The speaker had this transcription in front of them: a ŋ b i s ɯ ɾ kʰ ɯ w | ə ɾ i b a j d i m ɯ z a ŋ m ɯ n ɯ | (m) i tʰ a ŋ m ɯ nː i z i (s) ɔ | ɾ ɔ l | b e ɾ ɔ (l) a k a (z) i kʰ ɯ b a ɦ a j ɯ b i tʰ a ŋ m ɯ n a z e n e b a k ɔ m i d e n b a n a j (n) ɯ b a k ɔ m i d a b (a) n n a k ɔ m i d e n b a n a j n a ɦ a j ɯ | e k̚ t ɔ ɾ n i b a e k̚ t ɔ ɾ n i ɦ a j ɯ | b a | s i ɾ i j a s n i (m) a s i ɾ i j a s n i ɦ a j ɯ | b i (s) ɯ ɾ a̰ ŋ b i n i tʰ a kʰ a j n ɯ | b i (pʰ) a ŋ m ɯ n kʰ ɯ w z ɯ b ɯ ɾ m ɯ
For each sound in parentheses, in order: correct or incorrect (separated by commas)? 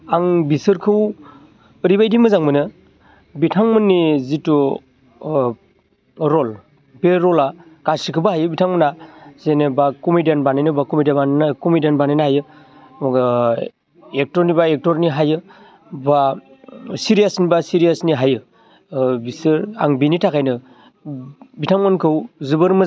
incorrect, incorrect, correct, incorrect, correct, correct, incorrect, correct, incorrect